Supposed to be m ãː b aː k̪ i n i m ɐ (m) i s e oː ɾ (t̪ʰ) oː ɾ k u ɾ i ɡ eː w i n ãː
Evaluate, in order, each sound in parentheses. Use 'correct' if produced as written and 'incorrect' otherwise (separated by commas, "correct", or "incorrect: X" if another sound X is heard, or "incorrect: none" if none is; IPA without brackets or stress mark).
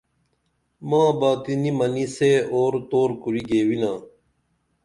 incorrect: n, incorrect: t̪